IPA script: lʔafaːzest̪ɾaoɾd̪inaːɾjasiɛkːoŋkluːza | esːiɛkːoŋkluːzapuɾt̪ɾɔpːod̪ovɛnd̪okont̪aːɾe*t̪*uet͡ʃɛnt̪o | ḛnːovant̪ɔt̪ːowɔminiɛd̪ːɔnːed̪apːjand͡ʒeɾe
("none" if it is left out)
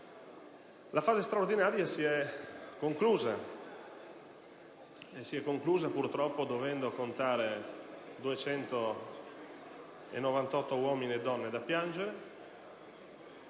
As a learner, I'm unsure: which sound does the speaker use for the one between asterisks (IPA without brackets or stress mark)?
d̪